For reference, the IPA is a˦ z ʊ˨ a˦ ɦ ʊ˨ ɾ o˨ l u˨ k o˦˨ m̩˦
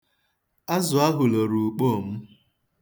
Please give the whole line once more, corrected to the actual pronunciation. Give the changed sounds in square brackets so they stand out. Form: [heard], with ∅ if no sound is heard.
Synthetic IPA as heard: a˦ z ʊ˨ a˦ ɦ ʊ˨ [l] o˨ [ɾ] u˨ [k͡p] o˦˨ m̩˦